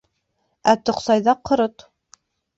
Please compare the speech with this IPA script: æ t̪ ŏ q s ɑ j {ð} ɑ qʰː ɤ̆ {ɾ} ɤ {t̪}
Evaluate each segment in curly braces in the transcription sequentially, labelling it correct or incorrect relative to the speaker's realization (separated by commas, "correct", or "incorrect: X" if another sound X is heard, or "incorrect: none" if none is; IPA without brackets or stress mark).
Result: correct, correct, correct